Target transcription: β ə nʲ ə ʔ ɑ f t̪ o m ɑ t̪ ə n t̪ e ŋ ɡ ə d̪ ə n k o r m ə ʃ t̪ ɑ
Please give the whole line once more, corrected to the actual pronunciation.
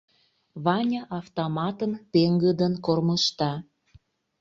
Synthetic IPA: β ɑ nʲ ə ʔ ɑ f t̪ o m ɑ t̪ ə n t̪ e ŋ ɡ ə d̪ ə n k o r m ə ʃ t̪ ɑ